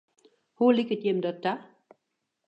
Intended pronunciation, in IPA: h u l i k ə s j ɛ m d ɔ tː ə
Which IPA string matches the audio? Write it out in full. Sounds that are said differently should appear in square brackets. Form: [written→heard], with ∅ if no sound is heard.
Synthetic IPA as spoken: h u l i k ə [s→t] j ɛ m d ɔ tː [ə→a]